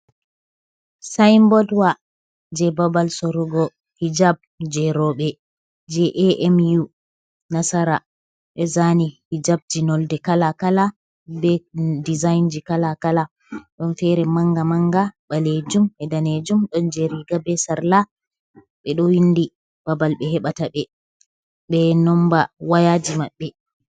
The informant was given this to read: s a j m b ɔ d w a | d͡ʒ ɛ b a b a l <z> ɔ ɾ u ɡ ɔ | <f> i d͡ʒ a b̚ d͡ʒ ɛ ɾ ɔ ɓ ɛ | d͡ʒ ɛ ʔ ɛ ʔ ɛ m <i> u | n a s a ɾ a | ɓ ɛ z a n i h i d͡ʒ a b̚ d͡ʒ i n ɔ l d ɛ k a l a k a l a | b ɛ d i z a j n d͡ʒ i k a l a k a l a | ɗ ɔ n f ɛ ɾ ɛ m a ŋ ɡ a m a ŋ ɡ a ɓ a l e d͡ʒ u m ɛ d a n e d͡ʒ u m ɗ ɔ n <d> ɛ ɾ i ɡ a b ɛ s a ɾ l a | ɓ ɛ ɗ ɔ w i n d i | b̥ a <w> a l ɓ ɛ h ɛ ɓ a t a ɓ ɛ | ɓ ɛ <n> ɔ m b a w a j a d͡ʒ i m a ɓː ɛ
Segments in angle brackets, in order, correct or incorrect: incorrect: s, incorrect: h, incorrect: j, incorrect: d͡ʒ, incorrect: b, correct

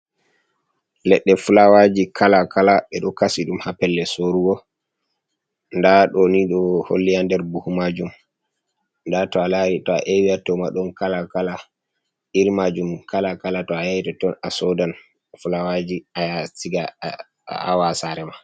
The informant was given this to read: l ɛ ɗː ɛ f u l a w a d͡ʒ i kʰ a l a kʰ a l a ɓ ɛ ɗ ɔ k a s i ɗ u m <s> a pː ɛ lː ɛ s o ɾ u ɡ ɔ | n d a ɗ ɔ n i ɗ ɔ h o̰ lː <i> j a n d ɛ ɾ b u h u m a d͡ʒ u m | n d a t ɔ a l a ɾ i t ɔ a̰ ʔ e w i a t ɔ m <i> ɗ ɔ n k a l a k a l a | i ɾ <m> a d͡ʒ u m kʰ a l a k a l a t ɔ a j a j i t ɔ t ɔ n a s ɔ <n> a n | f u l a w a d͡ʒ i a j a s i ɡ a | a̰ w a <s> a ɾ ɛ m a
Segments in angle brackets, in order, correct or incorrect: incorrect: h, correct, incorrect: a, correct, incorrect: d, correct

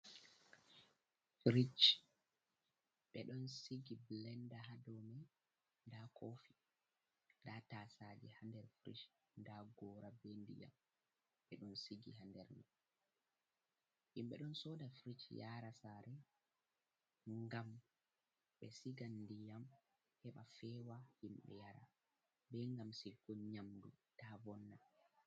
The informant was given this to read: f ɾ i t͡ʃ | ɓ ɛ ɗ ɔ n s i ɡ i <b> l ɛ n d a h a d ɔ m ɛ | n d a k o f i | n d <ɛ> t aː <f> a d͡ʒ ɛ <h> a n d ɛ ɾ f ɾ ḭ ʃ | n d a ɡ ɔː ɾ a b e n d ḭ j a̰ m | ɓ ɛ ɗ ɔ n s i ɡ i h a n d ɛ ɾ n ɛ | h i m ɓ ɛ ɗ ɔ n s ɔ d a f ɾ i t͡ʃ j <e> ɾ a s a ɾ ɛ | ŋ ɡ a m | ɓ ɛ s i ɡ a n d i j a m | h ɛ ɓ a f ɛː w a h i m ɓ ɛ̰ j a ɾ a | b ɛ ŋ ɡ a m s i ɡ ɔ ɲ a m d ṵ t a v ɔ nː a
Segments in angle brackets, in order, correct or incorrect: correct, incorrect: a, incorrect: s, correct, incorrect: a

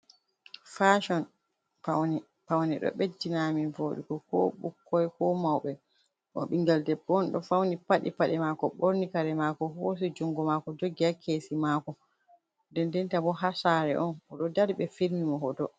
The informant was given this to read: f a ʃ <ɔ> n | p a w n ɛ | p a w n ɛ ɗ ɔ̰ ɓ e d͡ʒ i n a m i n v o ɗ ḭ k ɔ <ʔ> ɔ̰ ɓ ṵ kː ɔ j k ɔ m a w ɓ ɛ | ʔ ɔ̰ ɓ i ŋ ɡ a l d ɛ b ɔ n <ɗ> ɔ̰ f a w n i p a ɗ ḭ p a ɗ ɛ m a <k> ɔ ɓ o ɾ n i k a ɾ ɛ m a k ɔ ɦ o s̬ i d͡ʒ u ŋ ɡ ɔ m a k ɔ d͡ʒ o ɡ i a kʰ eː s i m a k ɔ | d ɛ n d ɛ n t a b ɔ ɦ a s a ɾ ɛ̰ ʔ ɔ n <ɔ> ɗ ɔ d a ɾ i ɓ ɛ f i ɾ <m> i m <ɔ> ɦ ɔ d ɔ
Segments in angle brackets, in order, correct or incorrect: correct, incorrect: k, correct, correct, correct, correct, correct

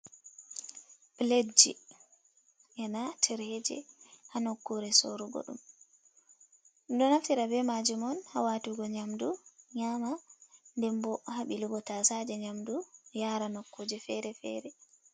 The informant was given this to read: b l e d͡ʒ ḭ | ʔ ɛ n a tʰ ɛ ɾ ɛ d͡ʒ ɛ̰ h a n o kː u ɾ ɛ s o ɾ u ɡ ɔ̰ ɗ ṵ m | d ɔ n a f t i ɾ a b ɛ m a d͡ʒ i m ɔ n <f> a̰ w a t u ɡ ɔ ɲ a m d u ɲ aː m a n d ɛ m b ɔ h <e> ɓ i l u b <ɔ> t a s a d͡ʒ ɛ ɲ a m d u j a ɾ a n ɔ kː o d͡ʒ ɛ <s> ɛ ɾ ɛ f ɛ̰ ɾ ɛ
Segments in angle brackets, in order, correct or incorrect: incorrect: h, incorrect: a, correct, incorrect: f

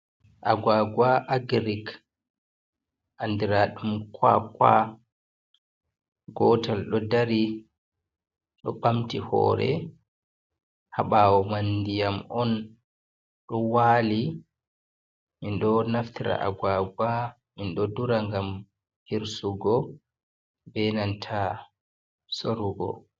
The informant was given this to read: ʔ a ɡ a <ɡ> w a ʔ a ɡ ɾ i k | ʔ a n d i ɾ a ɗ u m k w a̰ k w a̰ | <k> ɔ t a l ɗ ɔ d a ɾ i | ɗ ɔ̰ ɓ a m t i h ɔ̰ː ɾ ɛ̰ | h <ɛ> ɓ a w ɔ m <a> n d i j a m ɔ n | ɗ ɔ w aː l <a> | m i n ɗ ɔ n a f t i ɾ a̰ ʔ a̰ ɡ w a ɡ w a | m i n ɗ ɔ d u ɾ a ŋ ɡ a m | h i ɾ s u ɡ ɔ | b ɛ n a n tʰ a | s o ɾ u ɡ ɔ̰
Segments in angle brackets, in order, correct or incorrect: correct, incorrect: ɡ, incorrect: a, correct, incorrect: i

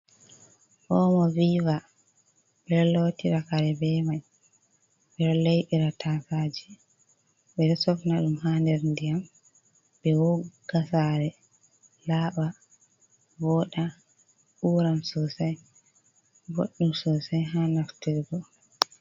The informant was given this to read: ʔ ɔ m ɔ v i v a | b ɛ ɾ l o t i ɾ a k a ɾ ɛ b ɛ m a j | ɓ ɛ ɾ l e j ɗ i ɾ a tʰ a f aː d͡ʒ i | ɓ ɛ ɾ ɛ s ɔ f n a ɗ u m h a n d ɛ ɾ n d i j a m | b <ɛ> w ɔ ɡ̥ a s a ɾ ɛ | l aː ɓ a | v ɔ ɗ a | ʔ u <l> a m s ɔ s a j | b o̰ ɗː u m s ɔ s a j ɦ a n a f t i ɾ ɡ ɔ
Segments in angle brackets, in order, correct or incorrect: correct, incorrect: ɾ

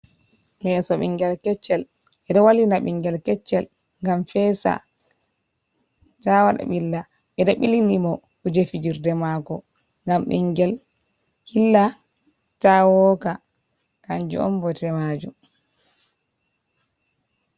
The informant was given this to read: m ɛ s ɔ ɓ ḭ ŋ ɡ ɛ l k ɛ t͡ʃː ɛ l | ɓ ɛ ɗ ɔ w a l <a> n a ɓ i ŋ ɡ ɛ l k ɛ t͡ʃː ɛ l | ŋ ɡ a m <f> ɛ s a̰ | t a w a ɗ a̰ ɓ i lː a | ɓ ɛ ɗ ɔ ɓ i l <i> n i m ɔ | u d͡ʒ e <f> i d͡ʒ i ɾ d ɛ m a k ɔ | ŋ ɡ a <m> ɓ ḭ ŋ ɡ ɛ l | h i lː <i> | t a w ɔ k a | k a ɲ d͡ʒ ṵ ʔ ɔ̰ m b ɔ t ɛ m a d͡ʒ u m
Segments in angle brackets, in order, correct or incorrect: incorrect: i, correct, correct, correct, correct, incorrect: a

